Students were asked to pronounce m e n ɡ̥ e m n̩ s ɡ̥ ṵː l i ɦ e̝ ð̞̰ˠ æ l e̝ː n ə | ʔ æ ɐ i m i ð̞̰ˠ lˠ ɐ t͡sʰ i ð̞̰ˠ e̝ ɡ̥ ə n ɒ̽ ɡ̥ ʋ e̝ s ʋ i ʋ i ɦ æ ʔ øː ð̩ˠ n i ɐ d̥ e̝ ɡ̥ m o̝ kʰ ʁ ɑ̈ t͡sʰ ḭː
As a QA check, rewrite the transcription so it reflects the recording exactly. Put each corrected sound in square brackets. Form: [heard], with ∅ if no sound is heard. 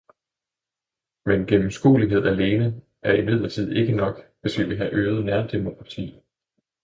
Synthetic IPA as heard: m e n ɡ̥ e m [m̩] s ɡ̥ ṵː l i ɦ e̝ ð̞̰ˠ æ l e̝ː n ə | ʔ æ ɐ i m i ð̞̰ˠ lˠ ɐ t͡sʰ i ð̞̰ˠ e̝ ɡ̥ ə n ɒ̽ ɡ̥ ʋ e̝ s ʋ i ʋ i ɦ æ ʔ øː ð̩ˠ n [æ] ɐ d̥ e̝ [∅] m o̝ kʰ ʁ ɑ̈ t͡sʰ ḭː